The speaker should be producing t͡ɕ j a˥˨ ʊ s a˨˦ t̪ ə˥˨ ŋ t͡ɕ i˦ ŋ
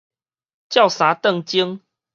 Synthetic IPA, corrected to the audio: t͡ɕ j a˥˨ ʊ s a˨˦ t̪ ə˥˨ ŋ t͡ɕ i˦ ŋ